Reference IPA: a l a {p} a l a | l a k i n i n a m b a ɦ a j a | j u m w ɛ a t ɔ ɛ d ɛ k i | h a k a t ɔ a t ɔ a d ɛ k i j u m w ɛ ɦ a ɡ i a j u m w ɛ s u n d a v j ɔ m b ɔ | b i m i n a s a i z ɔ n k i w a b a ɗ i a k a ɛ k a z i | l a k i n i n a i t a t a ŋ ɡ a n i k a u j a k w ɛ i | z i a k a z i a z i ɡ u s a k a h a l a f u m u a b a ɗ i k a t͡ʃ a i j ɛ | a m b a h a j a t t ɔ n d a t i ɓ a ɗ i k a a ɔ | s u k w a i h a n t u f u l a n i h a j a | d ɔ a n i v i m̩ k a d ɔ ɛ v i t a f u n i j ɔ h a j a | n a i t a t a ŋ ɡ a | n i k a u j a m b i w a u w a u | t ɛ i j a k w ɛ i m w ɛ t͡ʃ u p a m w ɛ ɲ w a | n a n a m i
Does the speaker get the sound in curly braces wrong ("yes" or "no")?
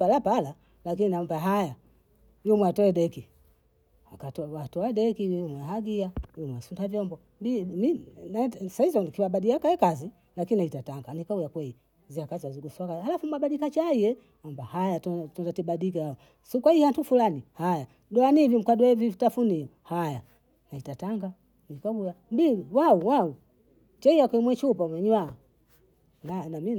no